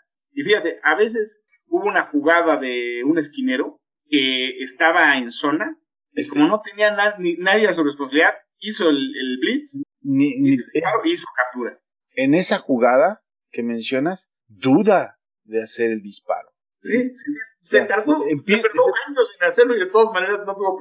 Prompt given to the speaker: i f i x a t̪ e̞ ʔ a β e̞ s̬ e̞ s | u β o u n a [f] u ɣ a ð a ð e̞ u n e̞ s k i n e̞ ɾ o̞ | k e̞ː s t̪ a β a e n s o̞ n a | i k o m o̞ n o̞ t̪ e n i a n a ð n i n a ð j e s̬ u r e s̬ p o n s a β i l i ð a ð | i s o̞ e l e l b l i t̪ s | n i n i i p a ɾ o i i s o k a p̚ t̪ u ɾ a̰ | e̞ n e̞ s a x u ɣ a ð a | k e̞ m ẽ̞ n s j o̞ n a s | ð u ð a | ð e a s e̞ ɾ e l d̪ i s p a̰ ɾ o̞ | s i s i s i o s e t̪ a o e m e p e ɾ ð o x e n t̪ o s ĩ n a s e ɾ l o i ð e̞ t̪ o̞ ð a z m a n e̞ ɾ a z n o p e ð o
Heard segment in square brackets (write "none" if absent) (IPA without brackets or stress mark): x